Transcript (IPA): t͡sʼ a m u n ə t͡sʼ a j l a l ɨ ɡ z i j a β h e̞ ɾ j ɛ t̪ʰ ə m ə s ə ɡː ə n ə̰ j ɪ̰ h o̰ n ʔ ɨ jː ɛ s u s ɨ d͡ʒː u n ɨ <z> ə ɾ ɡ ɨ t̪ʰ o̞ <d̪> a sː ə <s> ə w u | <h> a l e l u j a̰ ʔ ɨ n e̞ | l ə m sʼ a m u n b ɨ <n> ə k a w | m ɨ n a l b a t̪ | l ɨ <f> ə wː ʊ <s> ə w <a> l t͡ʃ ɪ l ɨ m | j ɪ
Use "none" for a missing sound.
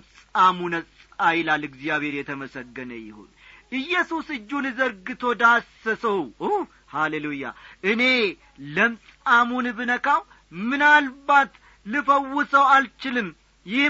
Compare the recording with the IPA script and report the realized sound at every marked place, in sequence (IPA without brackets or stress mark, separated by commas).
z, d̪, s, h, n, f, s, a